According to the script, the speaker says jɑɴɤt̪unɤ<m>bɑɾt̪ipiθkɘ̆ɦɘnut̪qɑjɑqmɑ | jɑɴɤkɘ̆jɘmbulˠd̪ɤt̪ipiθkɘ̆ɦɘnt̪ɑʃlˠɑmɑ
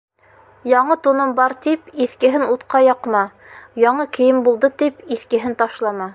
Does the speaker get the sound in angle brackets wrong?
no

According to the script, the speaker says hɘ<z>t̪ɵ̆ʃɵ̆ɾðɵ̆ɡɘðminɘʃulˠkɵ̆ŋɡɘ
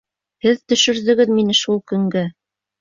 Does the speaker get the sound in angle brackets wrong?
yes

